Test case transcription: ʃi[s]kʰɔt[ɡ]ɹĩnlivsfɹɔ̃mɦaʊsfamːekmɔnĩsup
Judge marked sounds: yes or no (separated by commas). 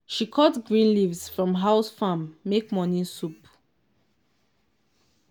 no, yes